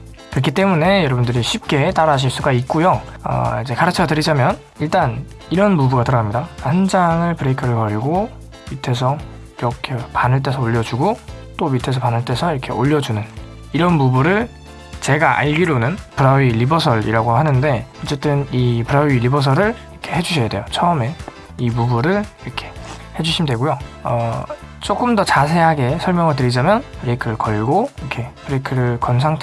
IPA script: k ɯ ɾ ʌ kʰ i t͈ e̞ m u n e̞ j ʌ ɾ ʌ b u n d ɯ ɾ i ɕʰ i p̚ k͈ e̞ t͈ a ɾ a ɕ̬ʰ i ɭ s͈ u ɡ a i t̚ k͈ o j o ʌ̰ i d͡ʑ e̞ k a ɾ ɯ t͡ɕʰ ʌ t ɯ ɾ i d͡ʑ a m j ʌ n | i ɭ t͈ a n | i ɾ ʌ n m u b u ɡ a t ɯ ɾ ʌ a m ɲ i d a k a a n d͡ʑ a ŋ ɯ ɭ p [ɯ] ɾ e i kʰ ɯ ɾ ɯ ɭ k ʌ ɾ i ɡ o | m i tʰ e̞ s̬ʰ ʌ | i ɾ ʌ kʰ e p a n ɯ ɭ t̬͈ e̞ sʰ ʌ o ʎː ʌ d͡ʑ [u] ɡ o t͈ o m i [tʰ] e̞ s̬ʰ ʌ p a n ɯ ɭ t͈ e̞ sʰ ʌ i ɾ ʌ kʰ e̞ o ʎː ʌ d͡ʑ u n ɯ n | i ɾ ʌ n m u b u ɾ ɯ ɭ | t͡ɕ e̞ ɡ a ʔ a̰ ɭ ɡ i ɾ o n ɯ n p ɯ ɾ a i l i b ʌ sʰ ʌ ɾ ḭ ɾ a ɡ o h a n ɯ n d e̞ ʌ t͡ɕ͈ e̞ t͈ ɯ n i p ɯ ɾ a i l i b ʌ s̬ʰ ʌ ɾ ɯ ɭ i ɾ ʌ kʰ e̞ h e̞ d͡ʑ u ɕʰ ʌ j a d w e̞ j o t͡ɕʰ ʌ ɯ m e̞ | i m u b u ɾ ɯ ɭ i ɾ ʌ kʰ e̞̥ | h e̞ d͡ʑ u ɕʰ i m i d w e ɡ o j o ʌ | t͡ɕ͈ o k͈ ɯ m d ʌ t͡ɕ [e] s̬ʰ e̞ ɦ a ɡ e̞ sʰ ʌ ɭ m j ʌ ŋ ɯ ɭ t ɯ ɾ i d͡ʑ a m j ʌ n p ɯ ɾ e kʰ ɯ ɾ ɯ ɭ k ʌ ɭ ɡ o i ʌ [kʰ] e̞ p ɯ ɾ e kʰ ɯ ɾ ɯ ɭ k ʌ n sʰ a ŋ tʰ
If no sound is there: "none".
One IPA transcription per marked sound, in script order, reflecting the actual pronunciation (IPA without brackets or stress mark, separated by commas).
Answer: ɯ, u, tʰ, a, kʰ